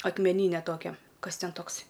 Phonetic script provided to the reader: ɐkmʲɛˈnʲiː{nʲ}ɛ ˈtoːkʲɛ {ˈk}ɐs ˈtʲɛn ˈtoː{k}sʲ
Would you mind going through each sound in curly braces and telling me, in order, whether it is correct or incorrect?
correct, correct, correct

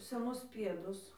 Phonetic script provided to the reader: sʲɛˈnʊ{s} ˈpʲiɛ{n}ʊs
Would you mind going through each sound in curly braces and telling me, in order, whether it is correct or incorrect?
correct, incorrect: d

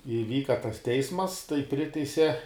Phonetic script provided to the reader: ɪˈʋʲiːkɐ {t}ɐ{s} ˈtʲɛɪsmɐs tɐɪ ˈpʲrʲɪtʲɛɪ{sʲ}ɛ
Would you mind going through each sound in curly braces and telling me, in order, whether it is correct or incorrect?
correct, correct, correct

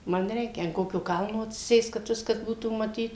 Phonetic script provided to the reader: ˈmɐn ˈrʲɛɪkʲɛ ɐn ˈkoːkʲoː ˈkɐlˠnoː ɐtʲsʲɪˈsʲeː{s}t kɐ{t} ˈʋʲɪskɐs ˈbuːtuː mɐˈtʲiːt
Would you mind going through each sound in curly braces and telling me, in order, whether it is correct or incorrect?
correct, correct

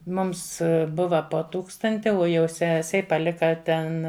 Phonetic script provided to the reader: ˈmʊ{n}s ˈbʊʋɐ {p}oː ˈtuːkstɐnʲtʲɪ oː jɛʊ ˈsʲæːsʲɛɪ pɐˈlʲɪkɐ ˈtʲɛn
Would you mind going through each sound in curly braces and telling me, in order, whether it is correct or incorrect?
incorrect: m, correct

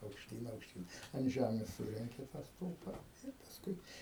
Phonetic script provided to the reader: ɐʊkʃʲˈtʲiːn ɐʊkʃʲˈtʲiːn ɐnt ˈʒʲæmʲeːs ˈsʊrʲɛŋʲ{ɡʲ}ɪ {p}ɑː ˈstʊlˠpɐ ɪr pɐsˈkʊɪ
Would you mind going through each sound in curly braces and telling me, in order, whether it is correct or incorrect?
incorrect: kʲ, incorrect: t

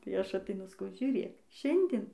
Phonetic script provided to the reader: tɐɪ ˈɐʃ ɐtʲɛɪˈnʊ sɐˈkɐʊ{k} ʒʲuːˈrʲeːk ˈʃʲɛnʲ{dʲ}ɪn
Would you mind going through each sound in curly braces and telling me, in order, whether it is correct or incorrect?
incorrect: none, correct

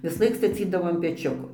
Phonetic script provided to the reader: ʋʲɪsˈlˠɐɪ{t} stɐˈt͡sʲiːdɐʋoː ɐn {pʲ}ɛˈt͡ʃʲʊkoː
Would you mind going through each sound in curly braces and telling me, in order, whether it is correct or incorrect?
incorrect: k, correct

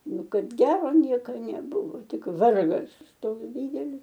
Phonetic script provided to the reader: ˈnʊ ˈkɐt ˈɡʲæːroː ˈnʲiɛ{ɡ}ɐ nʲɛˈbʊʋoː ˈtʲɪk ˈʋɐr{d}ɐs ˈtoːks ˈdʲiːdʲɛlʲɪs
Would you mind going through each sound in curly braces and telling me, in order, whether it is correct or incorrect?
incorrect: k, incorrect: ɡ

